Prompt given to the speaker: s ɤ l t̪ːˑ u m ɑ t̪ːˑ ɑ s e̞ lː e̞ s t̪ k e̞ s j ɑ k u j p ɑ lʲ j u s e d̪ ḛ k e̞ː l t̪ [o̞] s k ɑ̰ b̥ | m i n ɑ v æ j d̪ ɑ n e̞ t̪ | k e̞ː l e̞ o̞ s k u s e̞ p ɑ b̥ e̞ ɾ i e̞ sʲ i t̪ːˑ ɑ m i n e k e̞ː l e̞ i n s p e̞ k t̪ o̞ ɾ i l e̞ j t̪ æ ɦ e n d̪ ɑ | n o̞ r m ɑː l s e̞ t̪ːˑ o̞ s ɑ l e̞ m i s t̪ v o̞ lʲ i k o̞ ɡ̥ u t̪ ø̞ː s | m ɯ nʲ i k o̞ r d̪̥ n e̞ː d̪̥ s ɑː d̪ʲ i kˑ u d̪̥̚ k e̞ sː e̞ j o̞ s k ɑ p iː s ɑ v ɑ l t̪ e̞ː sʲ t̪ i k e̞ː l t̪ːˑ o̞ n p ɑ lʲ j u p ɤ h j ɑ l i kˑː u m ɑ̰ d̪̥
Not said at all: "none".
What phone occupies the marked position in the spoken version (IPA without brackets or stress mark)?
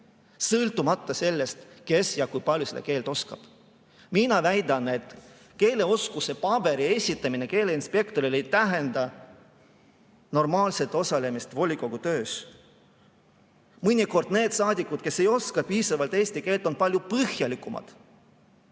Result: o̞